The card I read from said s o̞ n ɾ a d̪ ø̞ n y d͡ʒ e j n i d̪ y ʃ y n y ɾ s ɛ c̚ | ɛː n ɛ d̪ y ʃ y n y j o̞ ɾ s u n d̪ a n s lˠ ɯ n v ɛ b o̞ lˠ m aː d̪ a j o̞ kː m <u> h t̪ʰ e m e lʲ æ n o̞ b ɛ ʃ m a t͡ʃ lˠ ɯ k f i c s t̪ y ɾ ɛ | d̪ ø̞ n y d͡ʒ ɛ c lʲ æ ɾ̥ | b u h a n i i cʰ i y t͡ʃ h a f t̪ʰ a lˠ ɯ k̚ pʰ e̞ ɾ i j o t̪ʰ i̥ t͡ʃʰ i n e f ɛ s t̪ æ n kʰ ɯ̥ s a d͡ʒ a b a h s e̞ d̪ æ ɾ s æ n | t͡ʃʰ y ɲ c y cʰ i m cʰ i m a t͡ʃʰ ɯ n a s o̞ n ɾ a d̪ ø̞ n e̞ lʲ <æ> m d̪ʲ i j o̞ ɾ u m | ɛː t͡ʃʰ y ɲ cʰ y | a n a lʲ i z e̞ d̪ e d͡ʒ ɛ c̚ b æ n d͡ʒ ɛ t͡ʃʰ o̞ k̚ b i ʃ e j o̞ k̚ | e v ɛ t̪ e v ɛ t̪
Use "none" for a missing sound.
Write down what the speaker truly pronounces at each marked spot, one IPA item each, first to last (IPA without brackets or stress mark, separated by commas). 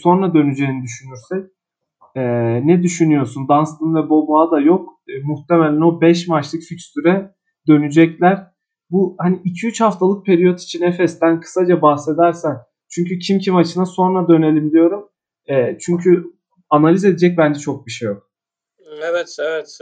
u, i